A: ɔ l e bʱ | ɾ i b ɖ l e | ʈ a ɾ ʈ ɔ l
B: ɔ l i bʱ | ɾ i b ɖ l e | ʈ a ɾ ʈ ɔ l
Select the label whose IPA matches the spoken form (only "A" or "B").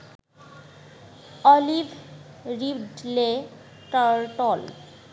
B